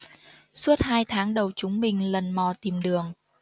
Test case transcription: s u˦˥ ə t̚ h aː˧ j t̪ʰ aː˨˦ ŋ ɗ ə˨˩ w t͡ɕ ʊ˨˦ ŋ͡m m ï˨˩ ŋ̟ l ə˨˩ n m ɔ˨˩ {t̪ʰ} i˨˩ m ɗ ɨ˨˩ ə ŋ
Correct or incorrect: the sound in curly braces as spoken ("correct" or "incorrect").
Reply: incorrect